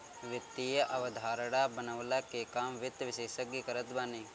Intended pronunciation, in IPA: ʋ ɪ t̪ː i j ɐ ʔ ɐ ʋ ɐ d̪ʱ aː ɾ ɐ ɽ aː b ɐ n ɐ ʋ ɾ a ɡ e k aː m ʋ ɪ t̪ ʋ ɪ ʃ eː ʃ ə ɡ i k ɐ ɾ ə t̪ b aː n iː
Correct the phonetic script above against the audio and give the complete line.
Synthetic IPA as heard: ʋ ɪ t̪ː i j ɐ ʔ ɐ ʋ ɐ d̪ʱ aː ɾ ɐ ɽ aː b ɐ n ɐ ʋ l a k e k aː m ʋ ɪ t̪ ʋ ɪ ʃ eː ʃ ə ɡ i k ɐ ɾ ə t̪ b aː n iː